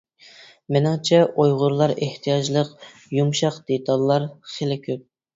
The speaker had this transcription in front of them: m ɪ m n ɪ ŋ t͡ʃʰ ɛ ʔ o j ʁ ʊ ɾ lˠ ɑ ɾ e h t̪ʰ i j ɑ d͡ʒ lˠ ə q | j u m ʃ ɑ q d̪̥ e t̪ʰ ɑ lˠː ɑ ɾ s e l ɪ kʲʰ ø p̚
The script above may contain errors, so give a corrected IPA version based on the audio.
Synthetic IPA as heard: m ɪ n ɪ ŋ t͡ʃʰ ɛ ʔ o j ʁ ʊ ɾ lˠ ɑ ɾ e h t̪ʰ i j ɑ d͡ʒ lˠ ə q | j u m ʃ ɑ q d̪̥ e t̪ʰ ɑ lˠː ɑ ɾ χ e l ɪ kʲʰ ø p̚